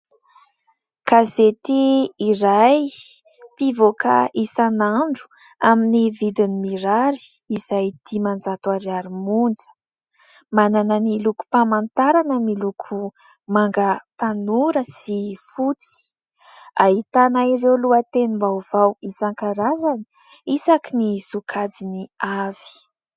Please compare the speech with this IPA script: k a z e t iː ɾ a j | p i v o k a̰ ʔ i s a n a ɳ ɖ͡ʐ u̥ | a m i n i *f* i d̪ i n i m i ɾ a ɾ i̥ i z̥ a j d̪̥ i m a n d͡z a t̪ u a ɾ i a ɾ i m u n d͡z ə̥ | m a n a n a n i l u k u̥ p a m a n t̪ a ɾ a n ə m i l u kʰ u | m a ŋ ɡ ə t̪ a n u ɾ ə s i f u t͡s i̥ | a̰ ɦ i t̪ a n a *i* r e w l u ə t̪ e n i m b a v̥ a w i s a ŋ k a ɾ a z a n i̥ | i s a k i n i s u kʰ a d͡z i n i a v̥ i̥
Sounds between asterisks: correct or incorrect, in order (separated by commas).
incorrect, correct